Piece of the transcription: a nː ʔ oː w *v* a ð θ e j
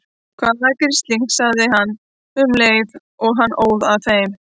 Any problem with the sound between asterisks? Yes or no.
yes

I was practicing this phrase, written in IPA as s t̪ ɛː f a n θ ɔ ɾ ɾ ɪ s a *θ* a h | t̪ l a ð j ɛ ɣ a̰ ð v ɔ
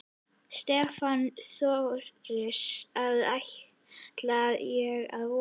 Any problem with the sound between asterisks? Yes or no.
yes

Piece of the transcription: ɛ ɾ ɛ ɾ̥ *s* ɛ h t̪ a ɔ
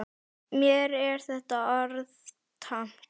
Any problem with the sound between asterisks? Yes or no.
yes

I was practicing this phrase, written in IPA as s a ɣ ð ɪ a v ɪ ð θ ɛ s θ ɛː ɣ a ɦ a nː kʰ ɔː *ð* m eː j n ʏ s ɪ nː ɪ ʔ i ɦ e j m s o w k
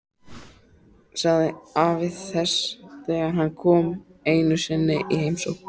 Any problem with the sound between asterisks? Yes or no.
yes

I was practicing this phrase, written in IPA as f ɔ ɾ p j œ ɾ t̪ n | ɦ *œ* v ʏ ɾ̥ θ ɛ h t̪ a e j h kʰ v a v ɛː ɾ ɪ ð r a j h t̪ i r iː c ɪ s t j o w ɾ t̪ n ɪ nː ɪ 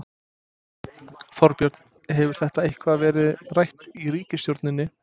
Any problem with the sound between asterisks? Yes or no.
yes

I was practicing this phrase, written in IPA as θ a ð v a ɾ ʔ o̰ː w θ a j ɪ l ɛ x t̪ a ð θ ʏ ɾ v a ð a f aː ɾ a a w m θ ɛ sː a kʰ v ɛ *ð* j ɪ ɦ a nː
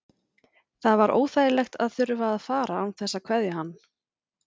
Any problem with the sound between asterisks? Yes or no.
no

